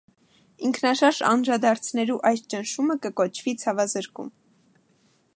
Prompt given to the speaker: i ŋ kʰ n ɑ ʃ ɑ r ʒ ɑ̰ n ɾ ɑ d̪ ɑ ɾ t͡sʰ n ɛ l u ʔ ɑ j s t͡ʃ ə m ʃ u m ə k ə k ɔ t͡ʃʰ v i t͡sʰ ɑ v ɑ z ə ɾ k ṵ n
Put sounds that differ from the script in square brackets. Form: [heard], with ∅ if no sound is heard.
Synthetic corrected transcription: i ŋ kʰ n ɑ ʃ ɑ [ɾ] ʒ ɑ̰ n ɾ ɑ d̪ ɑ ɾ t͡sʰ n ɛ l u ʔ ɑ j s t͡ʃ ə [n] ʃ u m ə k ə k ɔ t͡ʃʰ v i t͡sʰ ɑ v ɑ z ə ɾ k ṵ [m]